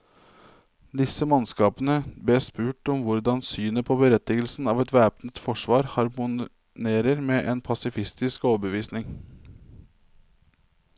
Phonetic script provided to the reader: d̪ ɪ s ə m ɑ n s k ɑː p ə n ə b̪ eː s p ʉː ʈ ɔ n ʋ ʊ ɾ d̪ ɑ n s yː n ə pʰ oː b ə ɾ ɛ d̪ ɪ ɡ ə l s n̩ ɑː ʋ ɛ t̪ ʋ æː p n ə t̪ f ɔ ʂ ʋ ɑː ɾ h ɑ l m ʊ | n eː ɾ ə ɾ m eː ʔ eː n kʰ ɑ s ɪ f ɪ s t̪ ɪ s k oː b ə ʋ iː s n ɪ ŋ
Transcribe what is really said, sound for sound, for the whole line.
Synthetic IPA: d̪ ɪ s ə m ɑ n s k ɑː p ə n ə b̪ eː s p ʉː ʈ ɔ m ʋ ʊ ɾ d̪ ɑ n s yː n ə pʰ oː b ə ɾ ɛ t̪ ɪ ɡ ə l s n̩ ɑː ʋ ɛ t̪ ʋ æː p n ə t̪ f ɔ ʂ ʋ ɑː ɾ h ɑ ɾ m ʊ | n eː ɾ ə ɾ m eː ʔ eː n pʰ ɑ s ɪ f ɪ s t̪ ɪ s k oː b ə ʋ iː s n ɪ ŋ